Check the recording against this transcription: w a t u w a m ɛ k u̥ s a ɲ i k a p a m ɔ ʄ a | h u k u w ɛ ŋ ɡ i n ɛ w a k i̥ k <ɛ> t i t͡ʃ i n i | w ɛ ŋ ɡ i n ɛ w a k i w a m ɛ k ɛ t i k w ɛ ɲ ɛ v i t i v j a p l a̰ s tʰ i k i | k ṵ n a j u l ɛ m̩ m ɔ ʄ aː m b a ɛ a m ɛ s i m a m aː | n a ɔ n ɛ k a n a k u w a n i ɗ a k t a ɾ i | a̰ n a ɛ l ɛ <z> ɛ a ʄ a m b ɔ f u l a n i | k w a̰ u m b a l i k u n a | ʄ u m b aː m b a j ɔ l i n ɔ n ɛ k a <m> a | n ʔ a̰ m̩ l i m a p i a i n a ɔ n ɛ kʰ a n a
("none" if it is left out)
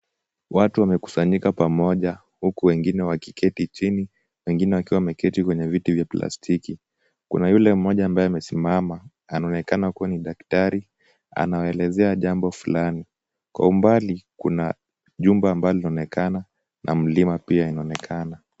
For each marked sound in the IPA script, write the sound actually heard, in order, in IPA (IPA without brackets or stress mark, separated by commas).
ɛ, z, n